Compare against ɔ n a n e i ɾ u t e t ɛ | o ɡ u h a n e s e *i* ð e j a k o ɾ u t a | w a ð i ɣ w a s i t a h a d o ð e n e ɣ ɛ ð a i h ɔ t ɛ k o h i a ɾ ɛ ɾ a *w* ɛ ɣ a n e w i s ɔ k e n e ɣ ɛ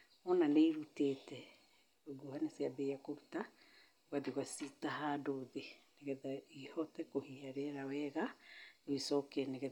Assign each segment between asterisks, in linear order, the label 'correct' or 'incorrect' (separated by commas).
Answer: incorrect, correct